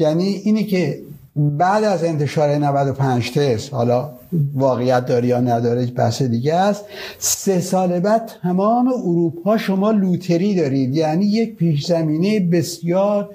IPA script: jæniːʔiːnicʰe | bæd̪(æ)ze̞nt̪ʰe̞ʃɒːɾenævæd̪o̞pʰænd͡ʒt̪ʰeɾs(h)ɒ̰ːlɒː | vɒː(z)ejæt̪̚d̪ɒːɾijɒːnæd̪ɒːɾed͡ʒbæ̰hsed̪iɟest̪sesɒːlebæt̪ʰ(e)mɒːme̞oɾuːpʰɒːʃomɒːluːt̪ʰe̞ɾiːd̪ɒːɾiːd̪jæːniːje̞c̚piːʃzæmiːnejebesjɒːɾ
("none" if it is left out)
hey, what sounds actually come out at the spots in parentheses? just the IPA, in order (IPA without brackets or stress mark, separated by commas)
æ, h, ɣ, æ